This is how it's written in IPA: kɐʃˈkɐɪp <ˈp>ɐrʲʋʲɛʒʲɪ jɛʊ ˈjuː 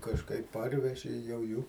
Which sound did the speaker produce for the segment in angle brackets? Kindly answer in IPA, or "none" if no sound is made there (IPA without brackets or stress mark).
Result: p